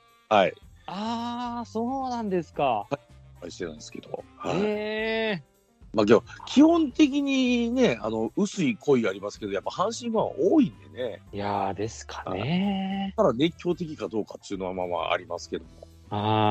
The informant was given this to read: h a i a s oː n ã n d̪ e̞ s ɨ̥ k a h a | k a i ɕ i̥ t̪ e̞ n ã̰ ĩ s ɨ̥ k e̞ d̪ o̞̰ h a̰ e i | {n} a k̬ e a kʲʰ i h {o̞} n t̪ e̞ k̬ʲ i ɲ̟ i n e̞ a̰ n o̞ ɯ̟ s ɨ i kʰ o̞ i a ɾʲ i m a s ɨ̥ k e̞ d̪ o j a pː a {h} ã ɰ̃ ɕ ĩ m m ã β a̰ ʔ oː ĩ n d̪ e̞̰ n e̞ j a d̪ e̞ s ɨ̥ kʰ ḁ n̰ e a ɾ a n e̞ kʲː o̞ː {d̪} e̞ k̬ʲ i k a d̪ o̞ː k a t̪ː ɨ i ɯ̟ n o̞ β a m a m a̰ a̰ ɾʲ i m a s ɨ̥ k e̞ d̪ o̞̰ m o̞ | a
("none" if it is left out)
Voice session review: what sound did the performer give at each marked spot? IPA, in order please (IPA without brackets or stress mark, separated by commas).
m, õ̞, h, t̪